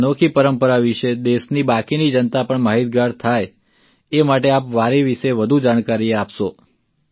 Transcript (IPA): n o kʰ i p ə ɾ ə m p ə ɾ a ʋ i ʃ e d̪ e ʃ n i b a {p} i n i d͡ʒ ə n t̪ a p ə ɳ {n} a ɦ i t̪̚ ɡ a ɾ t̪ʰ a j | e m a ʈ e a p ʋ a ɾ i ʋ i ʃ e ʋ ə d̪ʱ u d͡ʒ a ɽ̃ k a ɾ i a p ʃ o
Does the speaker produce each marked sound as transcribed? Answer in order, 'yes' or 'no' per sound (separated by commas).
no, no